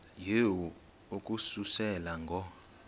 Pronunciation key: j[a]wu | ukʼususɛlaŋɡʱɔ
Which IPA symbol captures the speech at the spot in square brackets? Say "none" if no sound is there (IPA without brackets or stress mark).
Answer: e